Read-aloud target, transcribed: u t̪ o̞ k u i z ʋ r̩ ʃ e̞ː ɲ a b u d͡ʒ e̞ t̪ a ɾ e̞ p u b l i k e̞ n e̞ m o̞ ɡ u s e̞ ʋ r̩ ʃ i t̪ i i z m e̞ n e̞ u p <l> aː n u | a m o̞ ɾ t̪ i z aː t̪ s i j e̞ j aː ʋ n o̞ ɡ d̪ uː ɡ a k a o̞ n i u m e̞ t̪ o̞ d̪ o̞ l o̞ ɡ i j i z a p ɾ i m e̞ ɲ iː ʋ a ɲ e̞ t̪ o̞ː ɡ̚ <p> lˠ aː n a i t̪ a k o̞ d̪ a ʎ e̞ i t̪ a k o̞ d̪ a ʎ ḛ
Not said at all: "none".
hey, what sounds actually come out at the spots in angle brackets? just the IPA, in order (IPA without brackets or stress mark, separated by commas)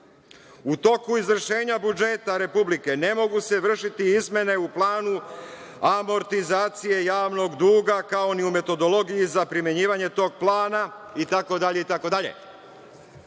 l, p